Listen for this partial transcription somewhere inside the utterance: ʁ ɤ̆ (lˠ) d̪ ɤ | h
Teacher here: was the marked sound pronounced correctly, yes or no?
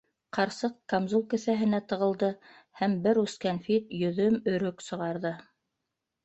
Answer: yes